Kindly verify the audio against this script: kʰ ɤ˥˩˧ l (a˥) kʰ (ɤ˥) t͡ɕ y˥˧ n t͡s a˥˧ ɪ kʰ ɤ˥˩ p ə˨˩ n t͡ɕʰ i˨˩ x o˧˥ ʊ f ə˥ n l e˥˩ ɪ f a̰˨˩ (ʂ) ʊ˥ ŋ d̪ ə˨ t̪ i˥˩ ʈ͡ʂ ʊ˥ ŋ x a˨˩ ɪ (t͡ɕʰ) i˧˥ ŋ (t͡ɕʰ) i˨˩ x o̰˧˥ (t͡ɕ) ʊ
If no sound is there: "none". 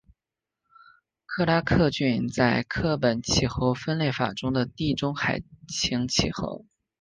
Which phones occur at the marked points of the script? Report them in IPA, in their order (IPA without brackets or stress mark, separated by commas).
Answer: a˥, ɤ˥˧, ʈ͡ʂ, t͡ɕʰ, t͡ɕʰ, none